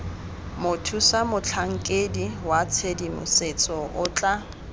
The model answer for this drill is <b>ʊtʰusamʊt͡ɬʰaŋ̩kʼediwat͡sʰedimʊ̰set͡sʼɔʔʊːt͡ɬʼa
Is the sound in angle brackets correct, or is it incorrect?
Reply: incorrect